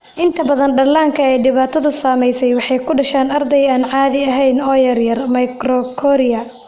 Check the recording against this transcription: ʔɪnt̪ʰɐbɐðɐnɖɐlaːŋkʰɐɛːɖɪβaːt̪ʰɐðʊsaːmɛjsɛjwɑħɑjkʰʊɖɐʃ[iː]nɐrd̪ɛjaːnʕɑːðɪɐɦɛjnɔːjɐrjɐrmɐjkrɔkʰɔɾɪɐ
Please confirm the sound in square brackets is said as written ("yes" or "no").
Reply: no